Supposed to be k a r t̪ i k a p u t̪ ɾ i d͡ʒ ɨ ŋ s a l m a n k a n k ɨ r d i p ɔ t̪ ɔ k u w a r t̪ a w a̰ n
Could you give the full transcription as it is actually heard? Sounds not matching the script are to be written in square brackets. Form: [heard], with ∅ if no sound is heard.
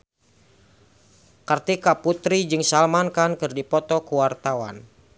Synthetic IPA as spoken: k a r t̪ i k a p u t̪ ɾ i d͡ʒ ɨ ŋ s a l m a n k a n k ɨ r d i p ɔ t̪ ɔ k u w a r t̪ a w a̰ n